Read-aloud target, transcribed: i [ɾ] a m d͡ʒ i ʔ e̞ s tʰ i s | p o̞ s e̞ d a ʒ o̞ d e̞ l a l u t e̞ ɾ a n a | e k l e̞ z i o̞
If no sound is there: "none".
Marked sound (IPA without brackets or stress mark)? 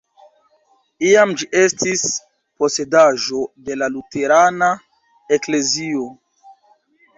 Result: none